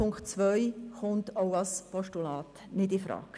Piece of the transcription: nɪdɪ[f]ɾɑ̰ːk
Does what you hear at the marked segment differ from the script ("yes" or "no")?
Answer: no